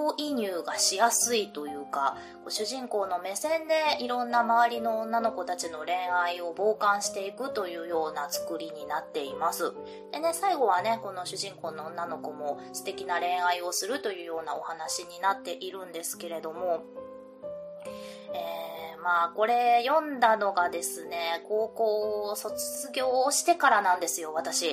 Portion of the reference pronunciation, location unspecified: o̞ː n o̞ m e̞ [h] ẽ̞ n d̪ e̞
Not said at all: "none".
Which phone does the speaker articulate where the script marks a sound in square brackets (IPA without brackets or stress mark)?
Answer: s